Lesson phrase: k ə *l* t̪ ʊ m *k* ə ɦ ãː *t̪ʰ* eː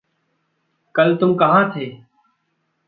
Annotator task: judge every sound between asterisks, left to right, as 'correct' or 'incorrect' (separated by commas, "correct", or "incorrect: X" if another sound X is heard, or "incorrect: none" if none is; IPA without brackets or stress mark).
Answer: correct, correct, correct